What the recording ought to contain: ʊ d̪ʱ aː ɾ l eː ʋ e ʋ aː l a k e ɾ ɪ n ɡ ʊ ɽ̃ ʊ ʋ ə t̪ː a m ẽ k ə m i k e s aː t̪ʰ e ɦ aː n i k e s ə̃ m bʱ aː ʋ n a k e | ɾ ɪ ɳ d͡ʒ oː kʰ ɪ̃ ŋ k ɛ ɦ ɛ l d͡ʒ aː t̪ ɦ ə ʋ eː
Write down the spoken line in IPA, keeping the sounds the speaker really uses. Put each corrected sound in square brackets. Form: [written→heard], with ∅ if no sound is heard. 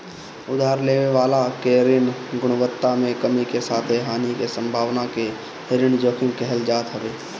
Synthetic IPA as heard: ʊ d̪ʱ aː ɾ l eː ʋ e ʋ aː l a k e ɾ ɪ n ɡ ʊ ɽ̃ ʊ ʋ ə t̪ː a m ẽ k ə m i k e s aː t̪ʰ e ɦ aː n i k e s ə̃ m bʱ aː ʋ n a k e | ɾ ɪ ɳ d͡ʒ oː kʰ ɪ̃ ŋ k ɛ ɦ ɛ l d͡ʒ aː t̪ ɦ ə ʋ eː